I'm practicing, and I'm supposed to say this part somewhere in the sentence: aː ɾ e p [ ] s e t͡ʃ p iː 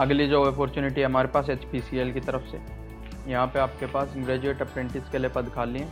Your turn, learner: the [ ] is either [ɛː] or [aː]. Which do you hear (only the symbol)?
aː